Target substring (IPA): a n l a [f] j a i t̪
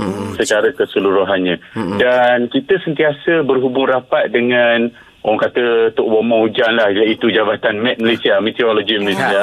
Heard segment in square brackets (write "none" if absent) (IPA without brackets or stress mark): h